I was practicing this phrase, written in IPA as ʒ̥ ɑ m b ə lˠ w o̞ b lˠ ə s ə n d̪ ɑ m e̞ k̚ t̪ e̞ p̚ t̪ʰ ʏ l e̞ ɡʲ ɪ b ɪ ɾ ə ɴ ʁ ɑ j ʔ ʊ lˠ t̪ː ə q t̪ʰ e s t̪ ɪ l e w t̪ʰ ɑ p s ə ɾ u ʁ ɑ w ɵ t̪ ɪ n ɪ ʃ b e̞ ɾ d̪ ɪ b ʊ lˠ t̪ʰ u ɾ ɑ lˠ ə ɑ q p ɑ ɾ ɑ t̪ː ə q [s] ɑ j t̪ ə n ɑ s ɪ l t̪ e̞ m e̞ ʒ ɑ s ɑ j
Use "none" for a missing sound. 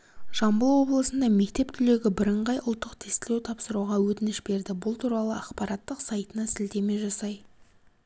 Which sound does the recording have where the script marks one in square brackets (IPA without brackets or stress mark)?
s